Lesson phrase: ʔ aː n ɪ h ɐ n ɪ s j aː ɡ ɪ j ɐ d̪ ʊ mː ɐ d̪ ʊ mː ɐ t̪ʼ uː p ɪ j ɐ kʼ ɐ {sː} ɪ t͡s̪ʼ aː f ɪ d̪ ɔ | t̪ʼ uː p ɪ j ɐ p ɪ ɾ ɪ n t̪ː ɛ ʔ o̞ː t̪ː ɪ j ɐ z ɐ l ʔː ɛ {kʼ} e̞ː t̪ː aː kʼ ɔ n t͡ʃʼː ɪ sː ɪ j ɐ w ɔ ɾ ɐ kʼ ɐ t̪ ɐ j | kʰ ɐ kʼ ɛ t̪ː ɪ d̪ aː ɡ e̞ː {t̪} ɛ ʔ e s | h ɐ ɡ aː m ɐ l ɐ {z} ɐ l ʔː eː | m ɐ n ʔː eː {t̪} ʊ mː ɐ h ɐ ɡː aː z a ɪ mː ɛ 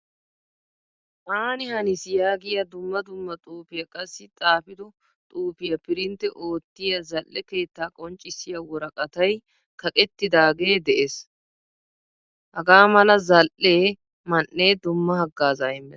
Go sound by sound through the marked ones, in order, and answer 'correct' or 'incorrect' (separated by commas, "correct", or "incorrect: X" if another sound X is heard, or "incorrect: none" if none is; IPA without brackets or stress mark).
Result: correct, incorrect: k, incorrect: d̪, correct, incorrect: d̪